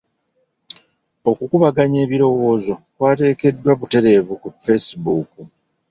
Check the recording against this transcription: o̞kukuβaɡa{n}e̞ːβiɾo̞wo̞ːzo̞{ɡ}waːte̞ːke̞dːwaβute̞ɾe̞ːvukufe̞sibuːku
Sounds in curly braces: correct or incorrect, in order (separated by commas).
incorrect, incorrect